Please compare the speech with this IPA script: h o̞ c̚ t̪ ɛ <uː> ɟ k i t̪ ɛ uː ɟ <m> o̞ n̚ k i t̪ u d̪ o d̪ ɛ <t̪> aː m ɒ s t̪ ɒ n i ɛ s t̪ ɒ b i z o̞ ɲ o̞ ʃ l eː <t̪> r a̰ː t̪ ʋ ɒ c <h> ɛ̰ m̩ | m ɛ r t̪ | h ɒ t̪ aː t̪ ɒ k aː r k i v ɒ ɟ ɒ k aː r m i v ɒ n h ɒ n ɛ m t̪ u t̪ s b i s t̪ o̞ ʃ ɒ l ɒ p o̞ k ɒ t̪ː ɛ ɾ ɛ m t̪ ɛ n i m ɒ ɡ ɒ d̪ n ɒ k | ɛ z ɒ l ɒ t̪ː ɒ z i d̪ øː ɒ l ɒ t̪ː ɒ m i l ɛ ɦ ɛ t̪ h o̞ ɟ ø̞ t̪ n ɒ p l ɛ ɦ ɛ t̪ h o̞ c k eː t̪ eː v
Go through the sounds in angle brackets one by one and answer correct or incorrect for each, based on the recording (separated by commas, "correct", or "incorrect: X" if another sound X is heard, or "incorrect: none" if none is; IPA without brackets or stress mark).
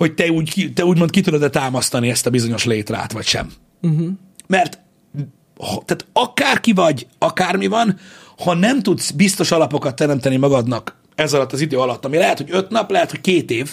correct, correct, correct, correct, incorrect: ʃ